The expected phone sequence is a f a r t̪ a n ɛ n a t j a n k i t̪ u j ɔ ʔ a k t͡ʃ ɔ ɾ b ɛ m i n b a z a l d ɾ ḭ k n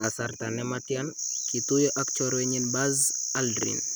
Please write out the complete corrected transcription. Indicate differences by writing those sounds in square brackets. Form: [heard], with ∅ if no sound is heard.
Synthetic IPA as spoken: a [s] a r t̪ a n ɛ [m] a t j a n k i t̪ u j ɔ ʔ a k t͡ʃ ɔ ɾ [w] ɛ [ɲ] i n b a z a l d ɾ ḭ [∅] n